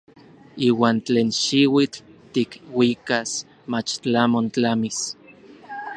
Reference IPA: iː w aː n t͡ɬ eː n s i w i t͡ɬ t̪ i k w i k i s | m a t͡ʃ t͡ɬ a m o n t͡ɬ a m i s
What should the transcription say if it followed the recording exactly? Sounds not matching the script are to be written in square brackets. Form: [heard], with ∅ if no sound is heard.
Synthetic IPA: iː w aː n t͡ɬ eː n [ʃ] i w i t͡ɬ t̪ i k w i k [a] s | m a t͡ʃ t͡ɬ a m o n t͡ɬ a m i s